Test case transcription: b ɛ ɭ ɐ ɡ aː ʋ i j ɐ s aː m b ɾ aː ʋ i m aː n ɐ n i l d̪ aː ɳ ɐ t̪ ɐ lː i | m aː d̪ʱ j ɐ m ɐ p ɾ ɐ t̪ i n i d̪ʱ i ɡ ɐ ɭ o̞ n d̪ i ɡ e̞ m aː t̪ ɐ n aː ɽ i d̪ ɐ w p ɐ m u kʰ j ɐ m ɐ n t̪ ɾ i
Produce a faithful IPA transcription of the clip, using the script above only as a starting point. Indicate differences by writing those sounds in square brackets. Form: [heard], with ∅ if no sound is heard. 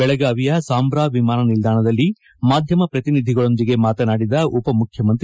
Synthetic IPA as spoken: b ɛ ɭ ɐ ɡ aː ʋ i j ɐ s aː m b ɾ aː ʋ i m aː n ɐ n i l d̪ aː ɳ ɐ [d̪] ɐ lː i | m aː d̪ʱ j ɐ m ɐ p ɾ ɐ t̪ i n i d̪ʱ i ɡ ɐ ɭ o̞ n d̪ i ɡ e̞ m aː t̪ ɐ n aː ɽ i d̪ ɐ [u] p ɐ m u kʰ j ɐ m ɐ n t̪ ɾ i